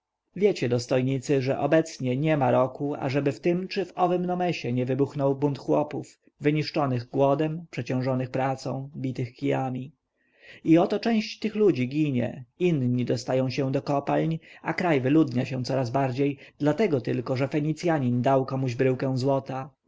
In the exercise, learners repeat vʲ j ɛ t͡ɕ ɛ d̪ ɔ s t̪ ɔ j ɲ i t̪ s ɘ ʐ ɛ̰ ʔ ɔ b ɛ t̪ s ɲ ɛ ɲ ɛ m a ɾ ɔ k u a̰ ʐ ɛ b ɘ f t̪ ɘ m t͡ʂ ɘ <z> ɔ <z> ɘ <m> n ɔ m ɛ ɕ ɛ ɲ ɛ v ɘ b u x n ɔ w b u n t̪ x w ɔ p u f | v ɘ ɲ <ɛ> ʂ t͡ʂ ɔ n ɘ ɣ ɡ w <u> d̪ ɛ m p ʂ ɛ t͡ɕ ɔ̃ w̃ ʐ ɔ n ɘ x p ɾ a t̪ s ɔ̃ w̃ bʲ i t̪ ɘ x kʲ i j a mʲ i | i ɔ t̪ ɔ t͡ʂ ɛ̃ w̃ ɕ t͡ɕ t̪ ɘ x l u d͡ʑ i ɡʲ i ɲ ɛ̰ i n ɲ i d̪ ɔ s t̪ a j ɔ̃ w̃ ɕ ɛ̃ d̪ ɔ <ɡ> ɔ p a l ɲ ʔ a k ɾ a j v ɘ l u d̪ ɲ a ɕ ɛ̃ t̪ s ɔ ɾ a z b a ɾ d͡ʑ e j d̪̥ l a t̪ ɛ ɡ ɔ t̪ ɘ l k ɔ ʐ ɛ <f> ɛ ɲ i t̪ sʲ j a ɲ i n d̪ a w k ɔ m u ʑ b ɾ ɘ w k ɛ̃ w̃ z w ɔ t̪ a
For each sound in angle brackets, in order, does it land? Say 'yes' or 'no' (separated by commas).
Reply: no, no, yes, no, no, no, yes